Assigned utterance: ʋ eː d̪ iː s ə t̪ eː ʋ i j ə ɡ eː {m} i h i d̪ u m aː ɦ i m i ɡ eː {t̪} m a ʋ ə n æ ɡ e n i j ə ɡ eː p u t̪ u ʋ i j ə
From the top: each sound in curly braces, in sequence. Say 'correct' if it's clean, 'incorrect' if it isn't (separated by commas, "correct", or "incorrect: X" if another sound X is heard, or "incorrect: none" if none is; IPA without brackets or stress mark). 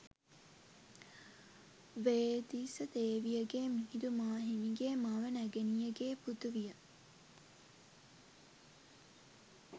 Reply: correct, incorrect: none